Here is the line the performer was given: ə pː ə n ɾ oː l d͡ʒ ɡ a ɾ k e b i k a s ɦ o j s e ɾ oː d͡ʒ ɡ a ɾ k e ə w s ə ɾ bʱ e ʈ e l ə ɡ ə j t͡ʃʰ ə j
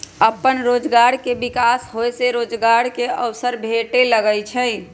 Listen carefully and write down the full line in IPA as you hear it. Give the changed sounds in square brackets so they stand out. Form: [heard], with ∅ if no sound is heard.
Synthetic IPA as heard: ə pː ə n ɾ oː [∅] d͡ʒ ɡ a ɾ k e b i k a s ɦ o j s e ɾ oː d͡ʒ ɡ a ɾ k e ə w s ə ɾ bʱ e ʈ e l ə ɡ ə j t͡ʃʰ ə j